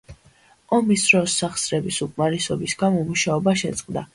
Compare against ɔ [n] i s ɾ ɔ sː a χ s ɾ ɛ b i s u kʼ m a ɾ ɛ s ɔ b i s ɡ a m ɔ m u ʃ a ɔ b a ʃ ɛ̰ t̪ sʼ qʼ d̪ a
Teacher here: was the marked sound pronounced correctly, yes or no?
no